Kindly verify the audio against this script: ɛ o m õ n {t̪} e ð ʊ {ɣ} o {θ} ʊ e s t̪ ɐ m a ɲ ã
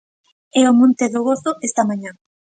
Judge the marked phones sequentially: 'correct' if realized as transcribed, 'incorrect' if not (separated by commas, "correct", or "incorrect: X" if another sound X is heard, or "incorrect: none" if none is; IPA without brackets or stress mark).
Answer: correct, correct, correct